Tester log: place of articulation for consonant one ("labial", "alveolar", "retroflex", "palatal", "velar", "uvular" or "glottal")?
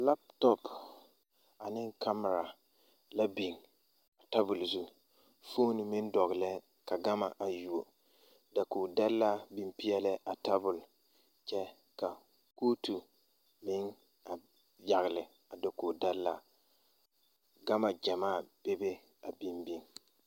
alveolar